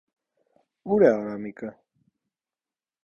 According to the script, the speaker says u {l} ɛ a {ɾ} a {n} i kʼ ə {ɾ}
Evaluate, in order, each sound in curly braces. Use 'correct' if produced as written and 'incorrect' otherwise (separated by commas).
incorrect, correct, incorrect, incorrect